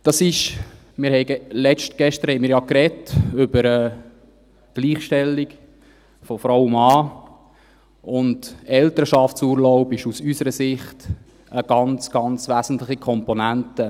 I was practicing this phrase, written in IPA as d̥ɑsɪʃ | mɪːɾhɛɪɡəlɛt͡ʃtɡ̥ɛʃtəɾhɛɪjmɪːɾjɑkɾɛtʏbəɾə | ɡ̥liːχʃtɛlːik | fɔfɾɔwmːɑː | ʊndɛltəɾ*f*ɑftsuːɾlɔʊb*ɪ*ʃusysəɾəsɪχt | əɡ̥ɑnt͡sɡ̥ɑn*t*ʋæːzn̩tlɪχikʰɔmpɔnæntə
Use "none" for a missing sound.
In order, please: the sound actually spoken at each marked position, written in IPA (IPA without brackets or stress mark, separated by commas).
ʃ, ɪ, t͡s